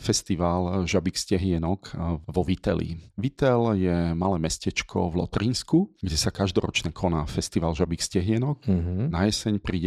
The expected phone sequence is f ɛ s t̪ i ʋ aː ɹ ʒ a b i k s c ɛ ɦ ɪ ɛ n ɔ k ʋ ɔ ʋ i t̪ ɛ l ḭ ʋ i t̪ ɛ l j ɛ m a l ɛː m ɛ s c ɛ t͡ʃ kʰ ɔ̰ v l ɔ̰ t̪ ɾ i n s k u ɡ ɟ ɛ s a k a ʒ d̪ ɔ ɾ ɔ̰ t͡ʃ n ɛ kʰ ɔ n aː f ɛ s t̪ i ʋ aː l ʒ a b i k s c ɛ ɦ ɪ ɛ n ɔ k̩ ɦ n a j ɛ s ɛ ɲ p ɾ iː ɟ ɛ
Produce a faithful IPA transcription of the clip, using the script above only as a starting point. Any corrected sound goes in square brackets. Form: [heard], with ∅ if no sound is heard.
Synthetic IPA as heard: f ɛ s t̪ i ʋ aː [l] ʒ a b i k s c ɛ ɦ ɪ ɛ n ɔ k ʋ ɔ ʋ i t̪ ɛ l ḭ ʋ i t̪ ɛ l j ɛ m a l ɛː m ɛ s c ɛ t͡ʃ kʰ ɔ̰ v l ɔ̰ t̪ ɾ i n s k u ɡ ɟ ɛ s a k a ʒ d̪ ɔ ɾ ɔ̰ t͡ʃ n ɛ kʰ ɔ n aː f ɛ s t̪ i ʋ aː l ʒ a b i k s c ɛ ɦ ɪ ɛ n ɔ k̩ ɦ n a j ɛ s ɛ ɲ p ɾ iː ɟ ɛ